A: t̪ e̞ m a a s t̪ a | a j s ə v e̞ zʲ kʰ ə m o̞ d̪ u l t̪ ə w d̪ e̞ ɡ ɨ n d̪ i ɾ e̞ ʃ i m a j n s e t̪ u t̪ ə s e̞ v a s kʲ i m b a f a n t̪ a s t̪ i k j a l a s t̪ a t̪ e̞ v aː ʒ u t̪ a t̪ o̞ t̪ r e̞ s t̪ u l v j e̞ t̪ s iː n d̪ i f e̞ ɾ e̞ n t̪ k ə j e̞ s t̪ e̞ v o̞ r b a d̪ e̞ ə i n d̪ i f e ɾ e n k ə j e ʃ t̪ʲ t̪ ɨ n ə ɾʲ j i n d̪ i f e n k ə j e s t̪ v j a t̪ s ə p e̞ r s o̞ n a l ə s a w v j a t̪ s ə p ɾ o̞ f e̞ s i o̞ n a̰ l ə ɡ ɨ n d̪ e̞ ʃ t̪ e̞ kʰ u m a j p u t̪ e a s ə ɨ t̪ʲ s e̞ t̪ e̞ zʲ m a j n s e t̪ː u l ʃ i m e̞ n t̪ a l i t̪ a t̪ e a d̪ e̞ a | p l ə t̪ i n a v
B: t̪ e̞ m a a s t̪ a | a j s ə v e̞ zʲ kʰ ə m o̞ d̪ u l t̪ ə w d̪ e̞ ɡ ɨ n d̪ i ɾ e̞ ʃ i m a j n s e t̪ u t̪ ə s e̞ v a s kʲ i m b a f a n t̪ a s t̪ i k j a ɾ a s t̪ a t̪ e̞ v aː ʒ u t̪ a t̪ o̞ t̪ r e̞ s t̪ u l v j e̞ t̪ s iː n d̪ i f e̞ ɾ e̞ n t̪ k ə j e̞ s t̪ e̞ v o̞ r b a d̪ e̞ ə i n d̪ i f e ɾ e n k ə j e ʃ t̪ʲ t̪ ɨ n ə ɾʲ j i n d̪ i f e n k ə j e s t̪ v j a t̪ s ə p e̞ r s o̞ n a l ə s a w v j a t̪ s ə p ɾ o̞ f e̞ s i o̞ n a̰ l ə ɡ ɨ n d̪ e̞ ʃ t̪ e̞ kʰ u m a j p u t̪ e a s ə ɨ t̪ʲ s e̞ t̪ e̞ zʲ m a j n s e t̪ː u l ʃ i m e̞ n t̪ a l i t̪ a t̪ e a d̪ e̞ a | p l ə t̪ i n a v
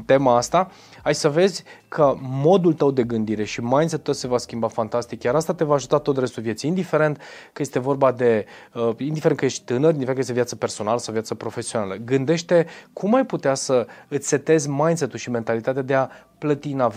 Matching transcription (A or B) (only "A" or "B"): B